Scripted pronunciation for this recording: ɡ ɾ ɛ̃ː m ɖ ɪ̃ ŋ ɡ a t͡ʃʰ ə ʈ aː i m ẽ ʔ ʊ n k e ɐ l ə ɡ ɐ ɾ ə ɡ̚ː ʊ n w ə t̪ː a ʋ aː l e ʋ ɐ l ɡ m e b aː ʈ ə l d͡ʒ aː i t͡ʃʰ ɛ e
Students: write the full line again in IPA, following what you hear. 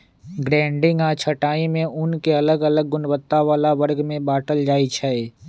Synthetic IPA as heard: ɡ ɾ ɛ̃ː ɳ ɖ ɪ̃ ŋ ɡ a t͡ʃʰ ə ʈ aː i m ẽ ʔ ʊ n k e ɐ l ə ɡ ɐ l ə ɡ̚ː ʊ n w ə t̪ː a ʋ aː l a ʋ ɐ ɾ ɡ m ẽ b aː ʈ ə l d͡ʒ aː i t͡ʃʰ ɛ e